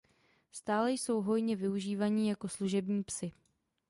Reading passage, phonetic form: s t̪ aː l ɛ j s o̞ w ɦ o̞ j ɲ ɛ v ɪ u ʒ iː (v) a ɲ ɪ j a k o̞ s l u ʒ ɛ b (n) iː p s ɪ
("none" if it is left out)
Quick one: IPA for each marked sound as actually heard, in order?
v, ɲ

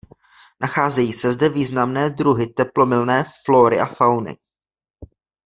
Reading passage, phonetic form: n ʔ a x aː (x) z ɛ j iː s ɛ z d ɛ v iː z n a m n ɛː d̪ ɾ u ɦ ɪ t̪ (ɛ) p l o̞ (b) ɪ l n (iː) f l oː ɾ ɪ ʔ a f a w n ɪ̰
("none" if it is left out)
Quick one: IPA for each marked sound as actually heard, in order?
none, ɛ, m, ɛː

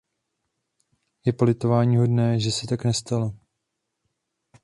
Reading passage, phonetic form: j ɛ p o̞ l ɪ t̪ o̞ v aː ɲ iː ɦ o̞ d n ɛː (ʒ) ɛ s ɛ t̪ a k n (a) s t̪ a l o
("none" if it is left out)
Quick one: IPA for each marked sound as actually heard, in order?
ʒ, ɛ

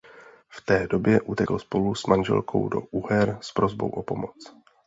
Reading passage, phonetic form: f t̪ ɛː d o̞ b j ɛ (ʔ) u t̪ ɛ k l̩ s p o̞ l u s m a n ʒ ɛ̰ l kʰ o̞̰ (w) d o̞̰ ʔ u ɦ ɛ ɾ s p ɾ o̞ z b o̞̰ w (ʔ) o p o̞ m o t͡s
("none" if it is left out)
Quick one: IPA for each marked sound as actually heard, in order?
ʔ, w, ʔ

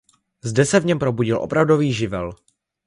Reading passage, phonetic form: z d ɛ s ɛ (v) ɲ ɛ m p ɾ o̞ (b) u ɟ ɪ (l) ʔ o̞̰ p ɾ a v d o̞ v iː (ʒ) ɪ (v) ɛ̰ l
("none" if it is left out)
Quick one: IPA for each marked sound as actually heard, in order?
v, b, l, ʒ, v

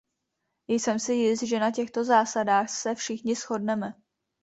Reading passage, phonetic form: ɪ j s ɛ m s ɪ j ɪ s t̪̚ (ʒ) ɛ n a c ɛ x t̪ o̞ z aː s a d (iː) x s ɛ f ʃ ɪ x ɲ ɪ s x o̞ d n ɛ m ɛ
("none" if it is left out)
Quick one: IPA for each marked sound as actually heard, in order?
ʒ, aː

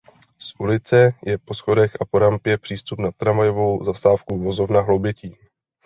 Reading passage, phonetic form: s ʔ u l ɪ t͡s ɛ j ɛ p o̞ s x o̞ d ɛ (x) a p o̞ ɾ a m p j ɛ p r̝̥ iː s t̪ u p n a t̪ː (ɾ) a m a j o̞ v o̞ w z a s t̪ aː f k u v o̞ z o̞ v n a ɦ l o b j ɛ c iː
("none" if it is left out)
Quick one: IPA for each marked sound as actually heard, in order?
x, ɾ

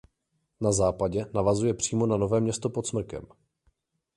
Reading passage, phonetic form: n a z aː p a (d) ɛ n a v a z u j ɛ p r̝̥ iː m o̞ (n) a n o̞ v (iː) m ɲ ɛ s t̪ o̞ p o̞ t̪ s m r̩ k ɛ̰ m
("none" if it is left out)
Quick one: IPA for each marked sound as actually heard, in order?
ɟ, n, ɛː

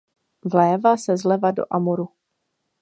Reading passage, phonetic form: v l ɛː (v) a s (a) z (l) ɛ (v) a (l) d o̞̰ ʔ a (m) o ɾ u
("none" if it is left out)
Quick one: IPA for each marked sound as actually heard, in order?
v, ɛ, l, v, none, m

